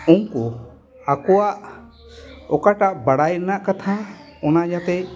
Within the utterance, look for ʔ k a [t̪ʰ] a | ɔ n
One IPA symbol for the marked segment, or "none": t̪ʰ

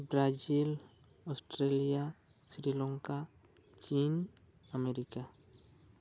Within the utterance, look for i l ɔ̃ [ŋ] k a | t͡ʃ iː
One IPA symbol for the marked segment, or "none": ŋ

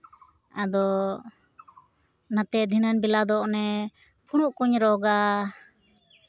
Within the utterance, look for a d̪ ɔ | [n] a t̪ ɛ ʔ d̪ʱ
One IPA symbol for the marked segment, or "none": n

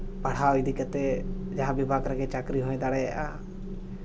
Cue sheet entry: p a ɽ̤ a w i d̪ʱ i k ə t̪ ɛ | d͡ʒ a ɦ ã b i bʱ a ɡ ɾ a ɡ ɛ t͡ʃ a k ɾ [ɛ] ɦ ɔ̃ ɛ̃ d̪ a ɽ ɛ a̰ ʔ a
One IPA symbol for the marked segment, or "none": i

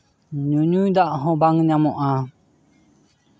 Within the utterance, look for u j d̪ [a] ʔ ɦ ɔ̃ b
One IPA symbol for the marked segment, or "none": a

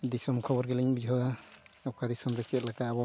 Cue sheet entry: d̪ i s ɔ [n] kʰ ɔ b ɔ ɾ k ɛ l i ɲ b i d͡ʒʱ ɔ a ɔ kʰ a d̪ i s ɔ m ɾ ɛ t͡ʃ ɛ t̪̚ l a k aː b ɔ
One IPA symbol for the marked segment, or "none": m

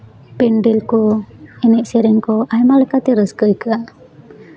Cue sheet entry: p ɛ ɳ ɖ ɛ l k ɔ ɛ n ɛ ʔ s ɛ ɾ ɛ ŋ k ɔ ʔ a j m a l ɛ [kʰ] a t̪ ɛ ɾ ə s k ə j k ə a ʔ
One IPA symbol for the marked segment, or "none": k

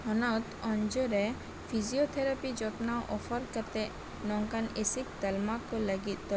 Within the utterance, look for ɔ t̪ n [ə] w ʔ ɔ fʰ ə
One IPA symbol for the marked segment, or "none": a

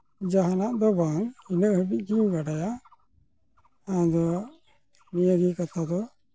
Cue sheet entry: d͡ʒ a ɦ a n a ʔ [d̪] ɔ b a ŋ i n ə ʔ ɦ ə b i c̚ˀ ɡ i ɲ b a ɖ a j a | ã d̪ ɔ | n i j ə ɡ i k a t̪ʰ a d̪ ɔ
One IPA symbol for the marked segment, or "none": d̪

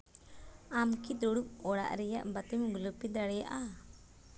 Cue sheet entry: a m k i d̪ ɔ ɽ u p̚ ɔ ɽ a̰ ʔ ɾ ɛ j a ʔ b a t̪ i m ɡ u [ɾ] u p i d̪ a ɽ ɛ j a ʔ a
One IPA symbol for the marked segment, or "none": l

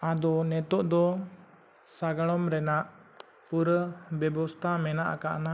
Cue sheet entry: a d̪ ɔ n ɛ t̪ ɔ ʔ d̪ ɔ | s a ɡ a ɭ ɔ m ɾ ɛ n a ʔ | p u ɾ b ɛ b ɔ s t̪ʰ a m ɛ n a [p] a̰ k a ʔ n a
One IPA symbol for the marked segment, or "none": ʔ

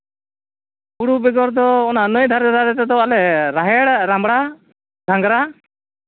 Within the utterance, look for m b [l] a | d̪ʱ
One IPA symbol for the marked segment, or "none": ɽ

